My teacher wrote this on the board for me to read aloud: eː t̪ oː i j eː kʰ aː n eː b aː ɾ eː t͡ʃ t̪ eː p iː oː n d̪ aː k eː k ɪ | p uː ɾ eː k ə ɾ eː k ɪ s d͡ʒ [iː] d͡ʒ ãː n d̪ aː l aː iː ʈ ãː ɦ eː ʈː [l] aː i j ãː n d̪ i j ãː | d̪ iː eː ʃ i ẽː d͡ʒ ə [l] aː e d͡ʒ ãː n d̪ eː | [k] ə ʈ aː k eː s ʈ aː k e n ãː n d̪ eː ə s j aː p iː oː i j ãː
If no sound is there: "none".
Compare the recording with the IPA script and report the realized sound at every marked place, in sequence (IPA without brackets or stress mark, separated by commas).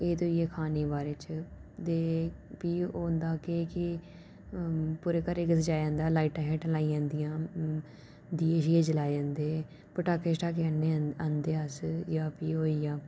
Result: aː, l, l, p